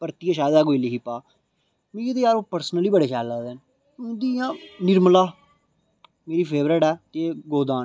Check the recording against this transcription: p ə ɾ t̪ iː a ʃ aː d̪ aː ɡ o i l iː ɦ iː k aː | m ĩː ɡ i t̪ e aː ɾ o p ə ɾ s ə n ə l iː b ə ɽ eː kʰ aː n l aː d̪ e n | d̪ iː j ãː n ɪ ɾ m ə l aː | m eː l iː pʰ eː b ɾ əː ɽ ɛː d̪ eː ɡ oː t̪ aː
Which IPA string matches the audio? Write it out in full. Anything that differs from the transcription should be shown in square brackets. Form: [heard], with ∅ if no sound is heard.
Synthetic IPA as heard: p ə ɾ t̪ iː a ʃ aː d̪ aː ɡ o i l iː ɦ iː [p] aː | m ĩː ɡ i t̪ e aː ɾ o p ə ɾ s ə n ə l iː b ə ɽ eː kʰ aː [∅] l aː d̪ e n | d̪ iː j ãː n ɪ ɾ m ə l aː | m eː [ɾ] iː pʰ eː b ɾ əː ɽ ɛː [t̪] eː ɡ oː [d̪] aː

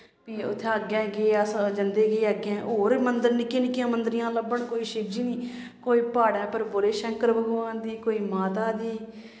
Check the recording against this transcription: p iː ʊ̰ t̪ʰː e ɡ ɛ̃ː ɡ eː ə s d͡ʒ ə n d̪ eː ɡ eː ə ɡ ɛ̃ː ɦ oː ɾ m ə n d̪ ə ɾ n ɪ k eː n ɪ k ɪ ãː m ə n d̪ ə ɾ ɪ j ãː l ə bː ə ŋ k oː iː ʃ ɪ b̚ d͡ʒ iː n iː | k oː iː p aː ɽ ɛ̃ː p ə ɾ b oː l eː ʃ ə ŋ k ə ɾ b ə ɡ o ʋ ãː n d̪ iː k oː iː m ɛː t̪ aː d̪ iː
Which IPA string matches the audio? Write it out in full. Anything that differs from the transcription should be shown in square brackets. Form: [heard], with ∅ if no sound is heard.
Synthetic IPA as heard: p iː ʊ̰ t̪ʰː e ɡ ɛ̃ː ɡ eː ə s d͡ʒ ə n d̪ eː ɡ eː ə ɡ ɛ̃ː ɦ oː ɾ m ə n d̪ ə ɾ n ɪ k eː n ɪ k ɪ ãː m ə n d̪ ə ɾ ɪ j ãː l ə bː ə [ɳ] k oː iː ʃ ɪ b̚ d͡ʒ iː n iː | k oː iː p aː ɽ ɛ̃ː p ə ɾ b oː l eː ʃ ə ŋ k ə ɾ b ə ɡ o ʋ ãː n d̪ iː k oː iː m [aː] t̪ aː d̪ iː

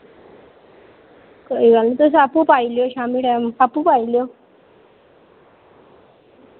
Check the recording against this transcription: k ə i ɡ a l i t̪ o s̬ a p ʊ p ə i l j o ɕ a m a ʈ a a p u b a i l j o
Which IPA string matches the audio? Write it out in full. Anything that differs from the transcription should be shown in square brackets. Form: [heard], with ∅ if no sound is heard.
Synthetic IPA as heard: k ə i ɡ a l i t̪ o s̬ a p [u] p [a] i l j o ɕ a m [i] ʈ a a p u [p] a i l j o

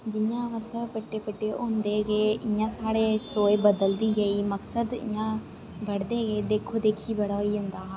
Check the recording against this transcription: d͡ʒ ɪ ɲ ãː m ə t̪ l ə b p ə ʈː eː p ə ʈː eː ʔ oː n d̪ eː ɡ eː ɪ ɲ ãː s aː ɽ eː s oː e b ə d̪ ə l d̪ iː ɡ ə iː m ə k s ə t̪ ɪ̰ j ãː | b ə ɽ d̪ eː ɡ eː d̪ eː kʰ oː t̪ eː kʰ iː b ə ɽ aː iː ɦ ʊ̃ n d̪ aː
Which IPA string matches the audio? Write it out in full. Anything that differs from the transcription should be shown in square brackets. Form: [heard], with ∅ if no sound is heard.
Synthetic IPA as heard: d͡ʒ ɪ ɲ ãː m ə t̪ l ə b p ə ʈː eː p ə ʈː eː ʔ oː n d̪ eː ɡ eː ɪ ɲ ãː s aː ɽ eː s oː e b ə d̪ ə l d̪ iː ɡ ə iː m ə k s ə [d̪] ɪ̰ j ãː | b ə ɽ d̪ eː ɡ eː d̪ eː kʰ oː [d̪] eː kʰ iː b ə ɽ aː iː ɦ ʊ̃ n d̪ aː

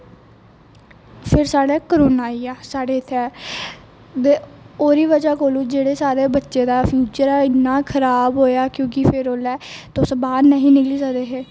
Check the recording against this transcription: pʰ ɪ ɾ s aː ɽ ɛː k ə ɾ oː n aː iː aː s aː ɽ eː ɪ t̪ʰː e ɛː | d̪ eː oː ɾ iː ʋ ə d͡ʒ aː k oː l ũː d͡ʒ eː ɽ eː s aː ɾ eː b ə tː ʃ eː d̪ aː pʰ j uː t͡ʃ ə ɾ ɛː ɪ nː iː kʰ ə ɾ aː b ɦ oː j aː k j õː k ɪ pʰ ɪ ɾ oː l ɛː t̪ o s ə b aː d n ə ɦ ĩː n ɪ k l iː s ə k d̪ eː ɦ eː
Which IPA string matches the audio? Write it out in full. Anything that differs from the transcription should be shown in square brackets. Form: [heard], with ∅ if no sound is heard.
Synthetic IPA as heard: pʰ ɪ ɾ s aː ɽ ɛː k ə ɾ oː n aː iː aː s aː ɽ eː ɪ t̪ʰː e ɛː | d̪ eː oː ɾ iː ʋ ə d͡ʒ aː k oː l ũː d͡ʒ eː ɽ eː s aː ɾ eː b ə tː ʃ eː d̪ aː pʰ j uː t͡ʃ ə ɾ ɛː ɪ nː [aː] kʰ ə ɾ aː b ɦ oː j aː k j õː k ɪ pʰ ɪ ɾ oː l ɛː t̪ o s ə b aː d n ə ɦ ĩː n ɪ k l iː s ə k d̪ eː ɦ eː

